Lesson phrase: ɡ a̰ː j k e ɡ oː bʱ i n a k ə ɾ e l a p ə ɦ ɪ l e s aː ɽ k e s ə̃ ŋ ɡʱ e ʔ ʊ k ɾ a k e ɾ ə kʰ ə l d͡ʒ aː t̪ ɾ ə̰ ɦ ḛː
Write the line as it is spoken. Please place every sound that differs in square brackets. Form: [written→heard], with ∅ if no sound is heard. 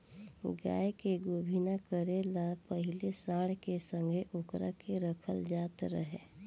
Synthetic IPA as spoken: ɡ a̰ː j k e ɡ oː bʱ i n a k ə ɾ e l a p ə ɦ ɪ l e s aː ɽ k e s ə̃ ŋ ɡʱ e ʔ ʊ k ɾ a k e ɾ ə kʰ ə l d͡ʒ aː t̪ ɾ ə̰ ɦ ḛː